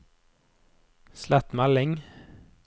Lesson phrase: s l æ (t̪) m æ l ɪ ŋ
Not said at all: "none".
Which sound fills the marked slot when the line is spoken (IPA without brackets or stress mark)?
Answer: t̪